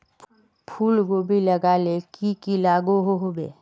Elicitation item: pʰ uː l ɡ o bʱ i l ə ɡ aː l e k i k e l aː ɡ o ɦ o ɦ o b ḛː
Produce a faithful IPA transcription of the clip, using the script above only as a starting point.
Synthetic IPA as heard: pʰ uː l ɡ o bʱ i l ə ɡ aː l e k i k i l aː ɡ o ɦ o ɦ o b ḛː

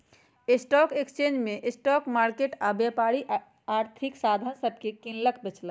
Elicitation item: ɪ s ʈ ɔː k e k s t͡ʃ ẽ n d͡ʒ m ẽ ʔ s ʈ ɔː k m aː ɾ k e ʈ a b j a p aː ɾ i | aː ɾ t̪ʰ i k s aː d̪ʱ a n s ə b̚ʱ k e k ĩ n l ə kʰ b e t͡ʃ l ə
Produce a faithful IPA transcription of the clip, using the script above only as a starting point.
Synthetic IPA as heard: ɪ s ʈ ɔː k e k s t͡ʃ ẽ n d͡ʒ m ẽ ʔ s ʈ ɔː k m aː ɾ k e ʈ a b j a p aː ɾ i | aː ɾ t̪ʰ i k s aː d̪ʱ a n s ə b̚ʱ k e k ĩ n l ə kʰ b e t͡ʃ l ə

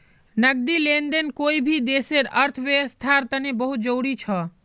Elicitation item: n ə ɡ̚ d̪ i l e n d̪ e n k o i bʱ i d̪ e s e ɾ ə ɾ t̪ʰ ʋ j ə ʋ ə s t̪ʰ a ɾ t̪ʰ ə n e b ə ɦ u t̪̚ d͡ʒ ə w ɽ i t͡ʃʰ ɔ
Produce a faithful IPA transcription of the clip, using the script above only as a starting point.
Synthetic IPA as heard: n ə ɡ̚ d̪ i l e n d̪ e n k o i bʱ i d̪ e s e ɾ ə ɾ t̪ʰ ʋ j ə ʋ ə s t̪ʰ a ɾ t̪ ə n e b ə ɦ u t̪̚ d͡ʒ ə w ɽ i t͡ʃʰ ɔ

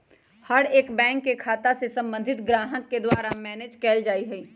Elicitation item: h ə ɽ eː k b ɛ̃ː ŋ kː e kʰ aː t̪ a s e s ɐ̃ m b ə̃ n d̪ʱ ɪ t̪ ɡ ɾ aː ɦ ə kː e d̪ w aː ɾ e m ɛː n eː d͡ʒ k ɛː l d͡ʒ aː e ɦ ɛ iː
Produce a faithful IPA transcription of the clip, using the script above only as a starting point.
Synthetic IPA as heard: h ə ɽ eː k b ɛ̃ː ŋ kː e kʰ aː t̪ a s e s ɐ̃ m b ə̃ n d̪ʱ ɪ t̪ ɡ ɾ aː ɦ ə kː e d̪ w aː ɾ a m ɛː n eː d͡ʒ k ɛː l d͡ʒ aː i ɦ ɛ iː

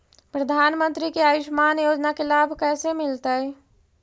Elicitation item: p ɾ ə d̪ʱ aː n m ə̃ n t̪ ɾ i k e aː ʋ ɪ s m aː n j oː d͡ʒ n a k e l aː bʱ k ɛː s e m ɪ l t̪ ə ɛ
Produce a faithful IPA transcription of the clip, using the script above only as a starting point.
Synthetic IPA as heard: p ɾ ə d̪ʱ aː n m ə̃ n t̪ ɾ i k e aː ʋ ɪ ʃ m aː n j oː d͡ʒ n a k e l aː bʱ k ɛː s e m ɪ l t̪ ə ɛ

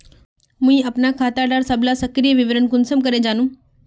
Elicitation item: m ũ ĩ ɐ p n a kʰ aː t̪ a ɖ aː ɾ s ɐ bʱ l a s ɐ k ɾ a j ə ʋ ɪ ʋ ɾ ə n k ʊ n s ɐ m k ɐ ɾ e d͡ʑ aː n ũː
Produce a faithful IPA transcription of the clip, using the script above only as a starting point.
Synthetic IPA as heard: m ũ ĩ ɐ p n a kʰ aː t̪ a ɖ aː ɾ s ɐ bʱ l a s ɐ k ɾ i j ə ʋ ɪ ʋ ɾ ə n k ʊ n s ə m k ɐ ɾ e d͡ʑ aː n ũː

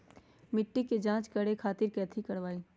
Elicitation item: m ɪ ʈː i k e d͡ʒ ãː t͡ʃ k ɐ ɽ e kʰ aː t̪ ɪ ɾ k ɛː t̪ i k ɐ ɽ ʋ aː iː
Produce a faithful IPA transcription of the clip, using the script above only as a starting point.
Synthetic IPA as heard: m ɪ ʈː i k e d͡ʒ ãː t͡ʃ k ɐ ɽ e kʰ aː t̪ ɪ ɾ k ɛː t̪ʰ i k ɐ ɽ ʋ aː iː

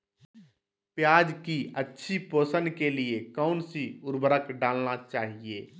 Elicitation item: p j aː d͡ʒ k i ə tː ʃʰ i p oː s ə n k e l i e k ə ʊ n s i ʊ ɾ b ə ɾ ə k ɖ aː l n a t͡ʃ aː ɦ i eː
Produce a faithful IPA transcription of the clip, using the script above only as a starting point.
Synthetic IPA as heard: p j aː d͡ʒ k i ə tː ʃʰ i p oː s ə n k e l i e k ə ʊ n s i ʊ ɾ b ə ɾ ə k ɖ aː l n a t͡ʃ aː ɦ i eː

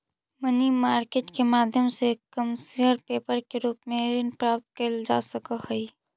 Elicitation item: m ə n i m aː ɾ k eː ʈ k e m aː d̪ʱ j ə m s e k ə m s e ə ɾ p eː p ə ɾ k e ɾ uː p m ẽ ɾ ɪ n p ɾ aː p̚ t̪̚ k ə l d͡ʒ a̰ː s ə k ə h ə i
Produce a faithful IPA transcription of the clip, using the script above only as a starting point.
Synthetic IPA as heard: m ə n i m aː ɾ k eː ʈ k e m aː d̪ʱ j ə m s e k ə m s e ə ɾ p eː p ə ɾ k e ɾ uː p m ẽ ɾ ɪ n p ɾ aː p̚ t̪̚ k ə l d͡ʒ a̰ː s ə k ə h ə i

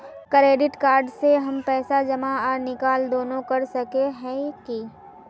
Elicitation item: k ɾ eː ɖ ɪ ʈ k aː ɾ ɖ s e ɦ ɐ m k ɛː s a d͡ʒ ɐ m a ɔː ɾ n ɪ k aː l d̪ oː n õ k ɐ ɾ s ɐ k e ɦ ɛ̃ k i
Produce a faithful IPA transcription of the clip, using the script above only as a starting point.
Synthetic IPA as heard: k ɾ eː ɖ ɪ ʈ k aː ɾ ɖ s e ɦ ɐ m p ɛː s a d͡ʒ ɐ m a ɔː ɾ n ɪ k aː l d̪ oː n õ k ɐ ɾ s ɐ k e ɦ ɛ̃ k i

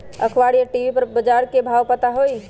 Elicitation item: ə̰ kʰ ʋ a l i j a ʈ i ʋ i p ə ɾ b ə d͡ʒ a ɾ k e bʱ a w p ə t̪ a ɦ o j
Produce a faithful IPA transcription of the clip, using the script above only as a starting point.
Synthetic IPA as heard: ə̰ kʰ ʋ a ɽ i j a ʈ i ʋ i p ə ɾ b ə d͡ʒ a ɾ k e bʱ a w p ə t̪ a ɦ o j

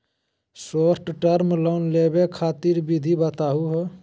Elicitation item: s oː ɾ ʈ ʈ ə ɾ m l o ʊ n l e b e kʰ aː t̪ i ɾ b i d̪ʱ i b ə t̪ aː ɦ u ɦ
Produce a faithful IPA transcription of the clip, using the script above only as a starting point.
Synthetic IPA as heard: s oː ɾ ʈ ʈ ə ɾ m l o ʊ n l e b e kʰ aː t̪ i ɾ b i d̪ʱ i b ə t̪ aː ɦ u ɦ

